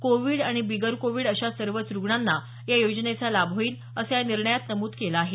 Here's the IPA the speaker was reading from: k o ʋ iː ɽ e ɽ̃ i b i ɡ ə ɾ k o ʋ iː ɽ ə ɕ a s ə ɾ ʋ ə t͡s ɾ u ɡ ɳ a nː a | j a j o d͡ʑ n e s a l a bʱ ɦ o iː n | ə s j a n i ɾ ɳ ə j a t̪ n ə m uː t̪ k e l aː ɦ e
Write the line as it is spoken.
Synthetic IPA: k o ʋ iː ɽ a ɽ̃ i b i ɡ ə ɾ k o ʋ iː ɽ ə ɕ a s ə ɾ ʋ ə t͡s ɾ u ɡ ɳ a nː a | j a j o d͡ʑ n e t͡s a l a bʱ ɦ o iː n | ə s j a n i ɾ ɳ ə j a t̪ n ə m uː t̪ k e l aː ɦ e